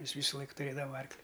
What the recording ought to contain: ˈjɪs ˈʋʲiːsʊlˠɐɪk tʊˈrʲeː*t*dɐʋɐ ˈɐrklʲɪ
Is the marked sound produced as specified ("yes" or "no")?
no